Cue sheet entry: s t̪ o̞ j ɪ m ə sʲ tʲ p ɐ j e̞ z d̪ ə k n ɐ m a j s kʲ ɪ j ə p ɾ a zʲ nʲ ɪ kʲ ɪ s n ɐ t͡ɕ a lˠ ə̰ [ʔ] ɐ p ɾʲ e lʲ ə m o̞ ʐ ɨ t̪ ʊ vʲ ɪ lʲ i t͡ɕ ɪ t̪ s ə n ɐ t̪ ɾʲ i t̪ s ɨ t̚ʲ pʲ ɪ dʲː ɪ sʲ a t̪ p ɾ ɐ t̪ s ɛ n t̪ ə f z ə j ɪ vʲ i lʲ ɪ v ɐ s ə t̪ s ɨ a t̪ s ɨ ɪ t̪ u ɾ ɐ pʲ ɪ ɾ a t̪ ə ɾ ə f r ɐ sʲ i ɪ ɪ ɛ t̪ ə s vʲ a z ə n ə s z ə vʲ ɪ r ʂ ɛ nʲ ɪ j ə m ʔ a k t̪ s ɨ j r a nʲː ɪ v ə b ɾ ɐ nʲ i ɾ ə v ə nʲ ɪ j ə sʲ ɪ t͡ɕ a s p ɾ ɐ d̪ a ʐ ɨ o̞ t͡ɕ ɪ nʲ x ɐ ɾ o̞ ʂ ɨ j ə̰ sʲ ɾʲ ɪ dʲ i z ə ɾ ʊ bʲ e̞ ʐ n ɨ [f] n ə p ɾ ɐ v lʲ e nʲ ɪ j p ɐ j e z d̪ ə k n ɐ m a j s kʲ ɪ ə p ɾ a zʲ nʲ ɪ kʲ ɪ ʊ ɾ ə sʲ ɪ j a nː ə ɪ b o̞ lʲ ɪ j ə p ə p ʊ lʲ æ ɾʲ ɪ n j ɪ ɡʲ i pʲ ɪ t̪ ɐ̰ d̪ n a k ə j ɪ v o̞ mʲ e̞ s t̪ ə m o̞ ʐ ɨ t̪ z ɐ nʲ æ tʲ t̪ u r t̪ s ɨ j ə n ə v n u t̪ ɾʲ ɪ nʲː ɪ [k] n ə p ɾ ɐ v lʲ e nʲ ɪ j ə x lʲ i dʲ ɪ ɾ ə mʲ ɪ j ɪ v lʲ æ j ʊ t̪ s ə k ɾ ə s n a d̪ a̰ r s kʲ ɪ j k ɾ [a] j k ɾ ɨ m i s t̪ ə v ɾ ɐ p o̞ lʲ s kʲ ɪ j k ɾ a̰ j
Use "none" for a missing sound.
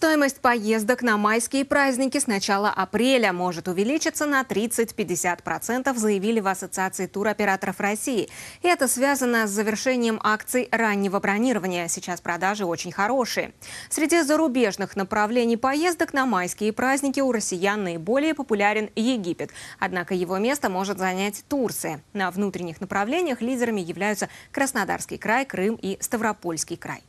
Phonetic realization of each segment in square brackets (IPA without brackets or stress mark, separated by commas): ʔ, x, x, a